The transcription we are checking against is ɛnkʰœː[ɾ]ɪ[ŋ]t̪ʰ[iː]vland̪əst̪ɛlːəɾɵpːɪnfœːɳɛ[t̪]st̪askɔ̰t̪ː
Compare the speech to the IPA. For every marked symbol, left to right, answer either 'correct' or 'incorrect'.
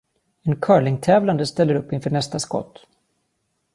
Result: incorrect, correct, incorrect, incorrect

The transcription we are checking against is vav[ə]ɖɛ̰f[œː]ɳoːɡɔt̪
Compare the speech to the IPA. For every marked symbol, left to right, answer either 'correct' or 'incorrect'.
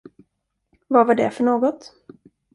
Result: incorrect, incorrect

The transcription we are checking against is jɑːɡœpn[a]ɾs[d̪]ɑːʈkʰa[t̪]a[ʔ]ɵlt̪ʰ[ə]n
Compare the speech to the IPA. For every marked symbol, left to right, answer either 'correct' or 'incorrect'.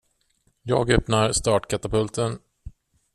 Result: correct, incorrect, correct, incorrect, correct

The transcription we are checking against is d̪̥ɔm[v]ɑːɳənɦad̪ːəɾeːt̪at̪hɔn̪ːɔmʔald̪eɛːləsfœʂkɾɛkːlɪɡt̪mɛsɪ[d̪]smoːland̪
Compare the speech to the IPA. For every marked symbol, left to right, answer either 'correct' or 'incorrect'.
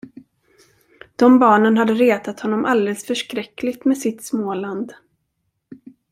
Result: incorrect, incorrect

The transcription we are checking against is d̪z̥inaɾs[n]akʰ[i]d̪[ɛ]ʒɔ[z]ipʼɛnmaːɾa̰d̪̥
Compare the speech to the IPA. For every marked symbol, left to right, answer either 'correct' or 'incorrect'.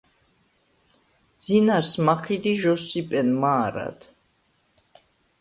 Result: incorrect, correct, incorrect, incorrect

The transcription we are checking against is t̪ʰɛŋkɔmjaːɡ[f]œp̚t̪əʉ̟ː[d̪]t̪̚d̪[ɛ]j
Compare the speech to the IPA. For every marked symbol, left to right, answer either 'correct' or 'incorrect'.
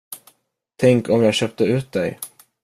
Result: incorrect, incorrect, correct

